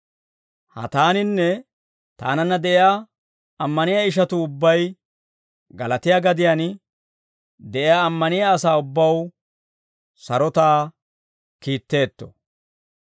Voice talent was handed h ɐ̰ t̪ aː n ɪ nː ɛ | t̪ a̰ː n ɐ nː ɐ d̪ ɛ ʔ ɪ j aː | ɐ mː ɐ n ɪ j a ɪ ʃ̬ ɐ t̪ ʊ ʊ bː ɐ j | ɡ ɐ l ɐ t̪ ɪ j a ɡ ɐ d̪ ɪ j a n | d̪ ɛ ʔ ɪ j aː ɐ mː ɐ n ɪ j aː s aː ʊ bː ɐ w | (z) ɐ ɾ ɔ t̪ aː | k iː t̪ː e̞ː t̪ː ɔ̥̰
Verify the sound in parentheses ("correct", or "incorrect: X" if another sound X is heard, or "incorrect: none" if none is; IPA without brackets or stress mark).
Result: incorrect: s